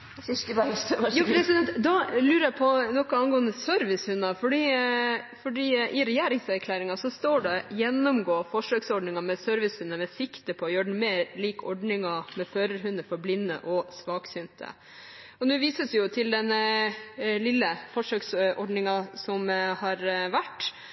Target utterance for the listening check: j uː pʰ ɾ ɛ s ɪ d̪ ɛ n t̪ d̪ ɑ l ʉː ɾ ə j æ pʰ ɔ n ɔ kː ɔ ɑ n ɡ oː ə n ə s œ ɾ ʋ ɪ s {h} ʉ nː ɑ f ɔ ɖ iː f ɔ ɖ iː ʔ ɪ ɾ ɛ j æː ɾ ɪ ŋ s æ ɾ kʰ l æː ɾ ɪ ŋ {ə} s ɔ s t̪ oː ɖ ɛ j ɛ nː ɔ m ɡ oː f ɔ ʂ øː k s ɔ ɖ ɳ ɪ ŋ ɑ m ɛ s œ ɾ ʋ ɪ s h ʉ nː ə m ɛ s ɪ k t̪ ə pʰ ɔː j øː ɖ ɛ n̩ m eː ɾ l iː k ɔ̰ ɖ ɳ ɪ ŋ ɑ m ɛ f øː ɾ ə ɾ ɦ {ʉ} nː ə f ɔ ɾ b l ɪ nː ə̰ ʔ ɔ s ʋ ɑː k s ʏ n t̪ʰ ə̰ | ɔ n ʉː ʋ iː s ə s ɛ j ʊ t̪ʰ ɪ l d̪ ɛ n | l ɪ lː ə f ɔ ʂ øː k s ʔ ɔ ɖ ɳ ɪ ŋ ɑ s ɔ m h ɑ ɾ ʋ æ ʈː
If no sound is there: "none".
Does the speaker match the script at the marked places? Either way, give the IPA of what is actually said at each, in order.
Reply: h, ɑ, ʉ

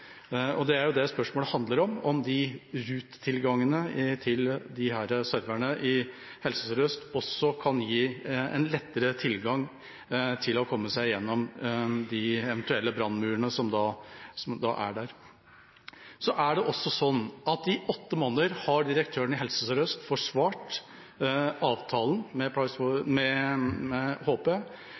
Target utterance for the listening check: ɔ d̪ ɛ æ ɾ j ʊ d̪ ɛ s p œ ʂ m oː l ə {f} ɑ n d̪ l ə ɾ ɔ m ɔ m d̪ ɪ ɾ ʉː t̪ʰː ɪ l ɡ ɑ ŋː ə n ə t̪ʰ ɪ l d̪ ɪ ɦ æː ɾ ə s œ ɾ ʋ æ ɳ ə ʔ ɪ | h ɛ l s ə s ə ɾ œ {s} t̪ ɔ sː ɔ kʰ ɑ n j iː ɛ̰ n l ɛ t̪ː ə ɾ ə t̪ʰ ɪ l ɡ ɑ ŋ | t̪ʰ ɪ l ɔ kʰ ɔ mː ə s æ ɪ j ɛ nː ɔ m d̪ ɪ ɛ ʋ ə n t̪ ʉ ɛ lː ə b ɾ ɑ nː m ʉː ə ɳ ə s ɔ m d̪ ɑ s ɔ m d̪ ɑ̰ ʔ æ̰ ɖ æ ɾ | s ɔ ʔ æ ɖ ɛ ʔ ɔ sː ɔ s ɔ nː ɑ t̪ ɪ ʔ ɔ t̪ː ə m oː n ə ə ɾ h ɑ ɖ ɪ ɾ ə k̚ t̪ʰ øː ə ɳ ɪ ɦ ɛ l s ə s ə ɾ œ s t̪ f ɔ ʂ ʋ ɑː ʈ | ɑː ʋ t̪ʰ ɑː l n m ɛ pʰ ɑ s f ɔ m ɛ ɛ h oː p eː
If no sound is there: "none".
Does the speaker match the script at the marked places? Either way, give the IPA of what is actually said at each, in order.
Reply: h, s

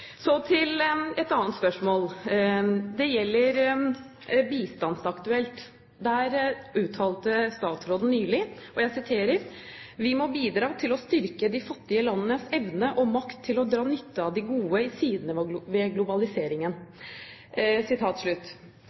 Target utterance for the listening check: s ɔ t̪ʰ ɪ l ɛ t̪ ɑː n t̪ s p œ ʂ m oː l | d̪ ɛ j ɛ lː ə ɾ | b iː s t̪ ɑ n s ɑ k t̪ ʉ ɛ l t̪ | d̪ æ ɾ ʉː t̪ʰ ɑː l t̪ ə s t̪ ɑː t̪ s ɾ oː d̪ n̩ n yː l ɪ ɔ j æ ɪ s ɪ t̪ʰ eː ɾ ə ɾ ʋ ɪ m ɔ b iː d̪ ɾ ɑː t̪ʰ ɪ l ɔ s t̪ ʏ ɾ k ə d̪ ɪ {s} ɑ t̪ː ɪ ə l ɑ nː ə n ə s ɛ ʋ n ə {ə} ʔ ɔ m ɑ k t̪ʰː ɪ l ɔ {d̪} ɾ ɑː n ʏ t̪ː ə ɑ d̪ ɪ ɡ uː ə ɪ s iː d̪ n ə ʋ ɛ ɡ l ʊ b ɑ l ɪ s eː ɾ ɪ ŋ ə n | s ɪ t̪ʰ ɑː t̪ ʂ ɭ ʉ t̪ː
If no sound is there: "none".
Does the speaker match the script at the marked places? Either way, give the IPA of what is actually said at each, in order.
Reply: f, ə, d̪

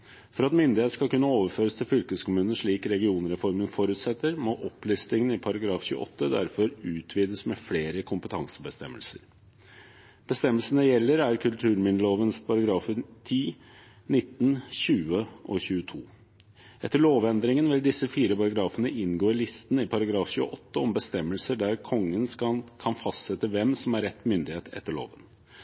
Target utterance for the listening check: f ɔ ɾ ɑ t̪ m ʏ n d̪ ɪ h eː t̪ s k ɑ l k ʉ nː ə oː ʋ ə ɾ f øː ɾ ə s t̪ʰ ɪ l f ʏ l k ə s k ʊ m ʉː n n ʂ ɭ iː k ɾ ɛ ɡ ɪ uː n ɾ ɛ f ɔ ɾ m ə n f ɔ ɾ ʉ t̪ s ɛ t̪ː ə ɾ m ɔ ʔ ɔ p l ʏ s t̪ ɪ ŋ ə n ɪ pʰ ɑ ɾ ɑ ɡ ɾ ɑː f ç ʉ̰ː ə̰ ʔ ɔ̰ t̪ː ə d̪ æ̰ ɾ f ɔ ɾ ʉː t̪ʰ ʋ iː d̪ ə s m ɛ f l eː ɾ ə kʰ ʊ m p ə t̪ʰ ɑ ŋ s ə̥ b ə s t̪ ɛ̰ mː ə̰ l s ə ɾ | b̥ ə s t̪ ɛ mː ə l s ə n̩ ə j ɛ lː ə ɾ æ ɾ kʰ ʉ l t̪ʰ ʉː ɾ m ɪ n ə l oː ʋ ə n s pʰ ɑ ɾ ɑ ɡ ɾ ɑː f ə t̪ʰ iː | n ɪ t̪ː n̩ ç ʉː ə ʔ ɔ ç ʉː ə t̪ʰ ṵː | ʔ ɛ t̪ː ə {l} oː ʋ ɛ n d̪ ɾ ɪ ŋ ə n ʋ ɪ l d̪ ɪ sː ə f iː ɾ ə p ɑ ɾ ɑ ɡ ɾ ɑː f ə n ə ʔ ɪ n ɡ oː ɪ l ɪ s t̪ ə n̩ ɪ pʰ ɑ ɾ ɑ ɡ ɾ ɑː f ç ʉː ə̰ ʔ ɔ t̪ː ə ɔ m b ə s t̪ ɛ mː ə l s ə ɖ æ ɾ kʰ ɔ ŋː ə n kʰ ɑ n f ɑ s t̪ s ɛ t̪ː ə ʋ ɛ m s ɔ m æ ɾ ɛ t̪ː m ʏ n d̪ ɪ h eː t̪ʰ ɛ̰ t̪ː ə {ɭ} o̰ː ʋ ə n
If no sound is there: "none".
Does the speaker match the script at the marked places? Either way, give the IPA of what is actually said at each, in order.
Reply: ɭ, ɭ

